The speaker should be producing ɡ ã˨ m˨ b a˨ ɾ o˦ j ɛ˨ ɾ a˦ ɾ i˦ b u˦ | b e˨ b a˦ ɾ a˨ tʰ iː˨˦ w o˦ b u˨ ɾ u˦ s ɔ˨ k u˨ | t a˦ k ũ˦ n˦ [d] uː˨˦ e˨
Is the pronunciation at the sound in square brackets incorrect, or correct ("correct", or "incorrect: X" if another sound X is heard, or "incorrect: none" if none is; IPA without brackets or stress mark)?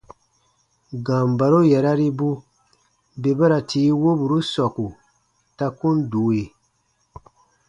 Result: correct